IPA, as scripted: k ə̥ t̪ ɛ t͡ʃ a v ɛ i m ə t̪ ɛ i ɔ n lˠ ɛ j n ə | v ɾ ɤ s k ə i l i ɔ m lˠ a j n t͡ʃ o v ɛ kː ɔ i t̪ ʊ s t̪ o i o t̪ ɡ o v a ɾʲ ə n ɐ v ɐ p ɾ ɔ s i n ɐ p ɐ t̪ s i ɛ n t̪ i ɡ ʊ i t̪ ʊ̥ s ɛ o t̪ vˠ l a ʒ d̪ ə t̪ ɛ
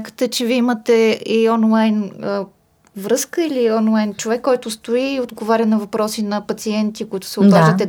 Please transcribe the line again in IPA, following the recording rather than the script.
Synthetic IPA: k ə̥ t̪ ɛ t͡ʃ ɛ v i i m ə t̪ ɛ i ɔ n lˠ a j n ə | v ɾ ɤ s k ə i l i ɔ n lˠ a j n t͡ʃ o v ɛ kː ɔ j t̪ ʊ s t̪ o i o d̪ ɡ o v a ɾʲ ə n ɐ v ɐ p ɾ ɔ s i n ɐ p ɐ t̪ s i ɛ n t̪ i k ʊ i t̪ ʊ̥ s ɛ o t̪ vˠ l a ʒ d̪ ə t̪ ɛ